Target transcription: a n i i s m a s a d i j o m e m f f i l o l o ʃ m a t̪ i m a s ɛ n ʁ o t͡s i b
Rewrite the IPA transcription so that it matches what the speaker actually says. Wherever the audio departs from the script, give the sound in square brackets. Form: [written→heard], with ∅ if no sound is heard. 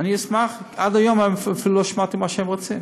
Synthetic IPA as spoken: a n i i s m a [s→χ] a d [i→a] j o m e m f f i l [o→u] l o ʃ m a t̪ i m a [s→ʃ] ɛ [n→m] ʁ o t͡s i [b→m]